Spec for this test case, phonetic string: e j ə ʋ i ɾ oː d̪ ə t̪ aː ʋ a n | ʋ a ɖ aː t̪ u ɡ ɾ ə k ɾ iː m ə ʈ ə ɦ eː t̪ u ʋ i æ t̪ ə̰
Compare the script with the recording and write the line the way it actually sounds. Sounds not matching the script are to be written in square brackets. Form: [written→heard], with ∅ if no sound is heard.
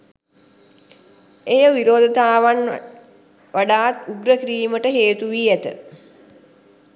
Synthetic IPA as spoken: e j ə ʋ i ɾ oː d̪ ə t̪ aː ʋ a n | ʋ a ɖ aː t̪ u ɡ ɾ ə k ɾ iː m ə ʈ ə ɦ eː t̪ u ʋ i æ t̪ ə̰